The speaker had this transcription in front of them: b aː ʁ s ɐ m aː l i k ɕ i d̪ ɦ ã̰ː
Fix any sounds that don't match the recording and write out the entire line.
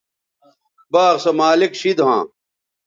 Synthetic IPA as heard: b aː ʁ s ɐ m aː l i k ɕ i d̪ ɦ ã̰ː